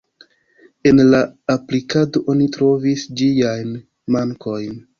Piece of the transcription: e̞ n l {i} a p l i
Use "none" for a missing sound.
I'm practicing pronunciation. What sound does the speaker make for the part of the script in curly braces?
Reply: a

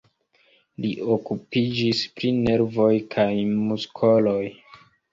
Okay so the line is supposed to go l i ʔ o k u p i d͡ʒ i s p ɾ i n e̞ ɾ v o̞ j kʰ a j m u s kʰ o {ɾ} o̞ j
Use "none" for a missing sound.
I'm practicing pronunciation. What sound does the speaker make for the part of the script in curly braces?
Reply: l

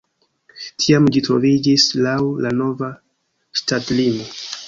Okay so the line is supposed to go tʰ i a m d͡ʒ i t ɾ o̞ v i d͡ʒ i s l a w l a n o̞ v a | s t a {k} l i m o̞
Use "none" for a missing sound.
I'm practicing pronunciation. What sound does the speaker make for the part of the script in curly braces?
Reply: t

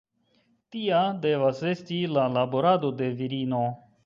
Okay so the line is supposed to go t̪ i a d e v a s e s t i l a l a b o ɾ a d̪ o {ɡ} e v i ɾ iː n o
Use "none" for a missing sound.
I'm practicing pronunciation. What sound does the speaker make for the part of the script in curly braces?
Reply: d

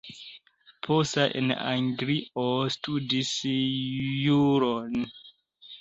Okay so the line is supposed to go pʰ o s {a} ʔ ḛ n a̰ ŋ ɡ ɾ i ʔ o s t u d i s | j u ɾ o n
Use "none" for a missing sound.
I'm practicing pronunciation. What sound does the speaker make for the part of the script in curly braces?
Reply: a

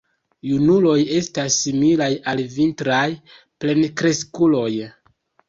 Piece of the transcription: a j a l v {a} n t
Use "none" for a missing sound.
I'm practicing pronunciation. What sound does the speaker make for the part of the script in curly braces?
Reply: i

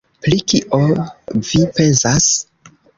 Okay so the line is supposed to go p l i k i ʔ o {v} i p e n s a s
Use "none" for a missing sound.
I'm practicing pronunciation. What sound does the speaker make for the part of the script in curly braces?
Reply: v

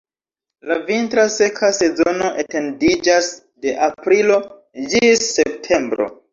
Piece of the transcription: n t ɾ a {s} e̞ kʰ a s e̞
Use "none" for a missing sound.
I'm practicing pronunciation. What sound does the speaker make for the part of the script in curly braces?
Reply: s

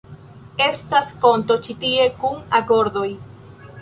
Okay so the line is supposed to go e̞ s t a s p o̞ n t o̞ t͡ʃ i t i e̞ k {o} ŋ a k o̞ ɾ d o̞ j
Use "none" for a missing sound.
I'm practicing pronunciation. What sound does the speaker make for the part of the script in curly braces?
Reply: u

